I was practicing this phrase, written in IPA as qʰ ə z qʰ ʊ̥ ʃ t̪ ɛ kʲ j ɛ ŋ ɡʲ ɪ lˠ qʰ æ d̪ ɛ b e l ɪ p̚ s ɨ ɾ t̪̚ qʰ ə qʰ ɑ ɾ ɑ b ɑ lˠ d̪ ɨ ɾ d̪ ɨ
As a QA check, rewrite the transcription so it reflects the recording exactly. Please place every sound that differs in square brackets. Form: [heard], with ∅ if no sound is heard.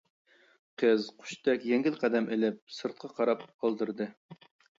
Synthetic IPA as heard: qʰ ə z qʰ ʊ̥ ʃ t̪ ɛ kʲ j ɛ ŋ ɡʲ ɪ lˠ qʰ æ d̪ ɛ [m] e l ɪ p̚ s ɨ ɾ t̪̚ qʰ [ɑ] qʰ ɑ ɾ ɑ [p] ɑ lˠ d̪ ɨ ɾ d̪ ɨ